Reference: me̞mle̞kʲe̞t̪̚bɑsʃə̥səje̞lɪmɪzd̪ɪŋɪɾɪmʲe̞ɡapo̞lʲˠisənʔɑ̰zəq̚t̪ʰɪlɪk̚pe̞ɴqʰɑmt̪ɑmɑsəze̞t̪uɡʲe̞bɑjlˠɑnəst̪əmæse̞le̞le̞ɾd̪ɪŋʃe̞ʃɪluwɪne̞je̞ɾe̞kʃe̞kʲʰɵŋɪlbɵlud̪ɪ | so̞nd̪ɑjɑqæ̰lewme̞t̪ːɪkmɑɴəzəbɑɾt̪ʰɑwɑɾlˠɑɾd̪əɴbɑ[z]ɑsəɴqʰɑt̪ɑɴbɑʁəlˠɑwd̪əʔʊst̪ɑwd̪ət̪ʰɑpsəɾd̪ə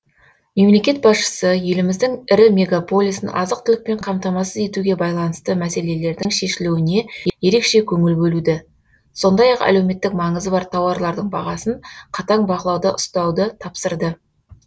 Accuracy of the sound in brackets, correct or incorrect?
incorrect